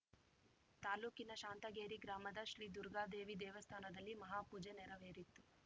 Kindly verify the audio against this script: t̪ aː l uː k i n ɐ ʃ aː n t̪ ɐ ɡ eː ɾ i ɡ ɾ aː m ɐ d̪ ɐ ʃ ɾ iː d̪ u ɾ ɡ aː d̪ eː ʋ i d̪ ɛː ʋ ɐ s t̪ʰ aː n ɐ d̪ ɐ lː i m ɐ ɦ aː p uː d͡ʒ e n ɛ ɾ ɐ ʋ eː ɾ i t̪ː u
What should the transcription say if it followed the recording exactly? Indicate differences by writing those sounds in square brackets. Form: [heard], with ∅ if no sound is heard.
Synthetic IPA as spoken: t̪ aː l uː k i n ɐ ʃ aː n t̪ ɐ ɡ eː ɾ i ɡ ɾ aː m ɐ d̪ ɐ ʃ ɾ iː d̪ u ɾ ɡ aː d̪ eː ʋ i d̪ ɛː ʋ ɐ s t̪ʰ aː n ɐ d̪ ɐ lː i m ɐ ɦ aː p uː d͡ʒ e n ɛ ɾ ɐ ʋ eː ɾ i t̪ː u